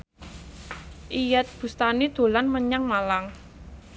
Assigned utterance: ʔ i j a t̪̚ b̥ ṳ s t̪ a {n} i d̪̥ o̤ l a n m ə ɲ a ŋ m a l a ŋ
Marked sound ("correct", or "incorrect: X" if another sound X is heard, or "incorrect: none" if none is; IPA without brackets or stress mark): correct